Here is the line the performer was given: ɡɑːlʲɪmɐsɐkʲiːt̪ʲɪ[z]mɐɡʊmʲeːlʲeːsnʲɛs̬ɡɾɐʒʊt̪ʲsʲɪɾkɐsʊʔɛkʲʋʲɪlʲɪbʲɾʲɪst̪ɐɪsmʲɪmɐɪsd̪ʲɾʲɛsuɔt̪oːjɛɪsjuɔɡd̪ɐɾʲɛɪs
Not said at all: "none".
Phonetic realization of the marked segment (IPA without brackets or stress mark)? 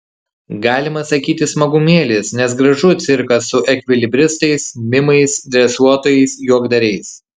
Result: s